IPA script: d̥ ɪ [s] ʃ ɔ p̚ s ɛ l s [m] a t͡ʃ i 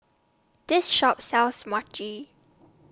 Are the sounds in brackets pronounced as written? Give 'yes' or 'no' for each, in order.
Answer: yes, yes

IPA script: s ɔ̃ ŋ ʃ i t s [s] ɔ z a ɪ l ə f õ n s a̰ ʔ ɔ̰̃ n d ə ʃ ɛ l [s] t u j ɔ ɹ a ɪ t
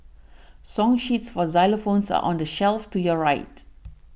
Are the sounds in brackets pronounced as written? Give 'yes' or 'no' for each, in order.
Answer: no, no

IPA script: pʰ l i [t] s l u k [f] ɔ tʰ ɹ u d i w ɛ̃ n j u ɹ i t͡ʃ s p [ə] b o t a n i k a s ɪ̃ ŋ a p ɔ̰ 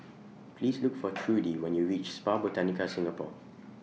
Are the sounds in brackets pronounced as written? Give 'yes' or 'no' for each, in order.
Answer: no, yes, no

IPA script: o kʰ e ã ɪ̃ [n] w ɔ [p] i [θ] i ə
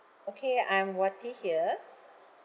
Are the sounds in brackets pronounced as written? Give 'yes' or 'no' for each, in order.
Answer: no, no, no

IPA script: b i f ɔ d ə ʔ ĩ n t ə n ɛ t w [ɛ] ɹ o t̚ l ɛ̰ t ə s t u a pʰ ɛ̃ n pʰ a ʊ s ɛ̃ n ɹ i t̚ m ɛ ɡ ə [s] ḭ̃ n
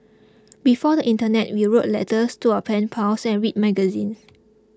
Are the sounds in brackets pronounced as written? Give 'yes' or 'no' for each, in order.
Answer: no, no

